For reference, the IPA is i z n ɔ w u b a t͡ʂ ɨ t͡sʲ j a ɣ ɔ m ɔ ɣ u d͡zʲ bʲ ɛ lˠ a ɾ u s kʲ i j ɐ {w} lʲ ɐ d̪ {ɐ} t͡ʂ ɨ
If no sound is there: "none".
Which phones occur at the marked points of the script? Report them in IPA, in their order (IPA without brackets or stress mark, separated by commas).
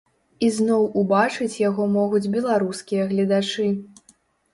ɣ, a